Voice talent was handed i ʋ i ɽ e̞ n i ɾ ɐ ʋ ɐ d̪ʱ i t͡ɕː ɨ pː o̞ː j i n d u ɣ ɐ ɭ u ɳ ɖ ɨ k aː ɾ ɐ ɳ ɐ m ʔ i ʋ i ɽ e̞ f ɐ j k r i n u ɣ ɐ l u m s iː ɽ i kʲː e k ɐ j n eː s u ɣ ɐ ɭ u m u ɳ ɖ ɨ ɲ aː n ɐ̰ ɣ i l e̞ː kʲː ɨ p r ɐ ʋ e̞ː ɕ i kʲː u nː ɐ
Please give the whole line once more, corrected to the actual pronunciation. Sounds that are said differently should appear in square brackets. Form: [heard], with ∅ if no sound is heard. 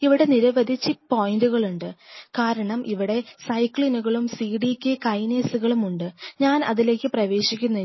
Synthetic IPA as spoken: i ʋ i ɽ e̞ n i ɾ ɐ ʋ ɐ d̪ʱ i t͡ɕː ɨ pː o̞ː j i n d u ɣ ɐ ɭ u ɳ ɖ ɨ k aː ɾ ɐ ɳ ɐ m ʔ i ʋ i ɽ e̞ [s] ɐ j k [ɭ] i n u ɣ ɐ [ɭ] u m s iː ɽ i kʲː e k ɐ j n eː s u ɣ ɐ ɭ u m u ɳ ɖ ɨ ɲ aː n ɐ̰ [ð] i l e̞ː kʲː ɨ p r ɐ ʋ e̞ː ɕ i kʲː u nː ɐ